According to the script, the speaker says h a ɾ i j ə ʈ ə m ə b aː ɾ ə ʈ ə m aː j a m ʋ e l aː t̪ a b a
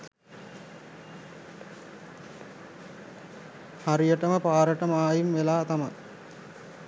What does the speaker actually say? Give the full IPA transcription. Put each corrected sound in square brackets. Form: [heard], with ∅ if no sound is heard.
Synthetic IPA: h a ɾ i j ə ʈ ə m ə [p] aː ɾ ə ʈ ə m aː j [i] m ʋ e l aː t̪ a [m] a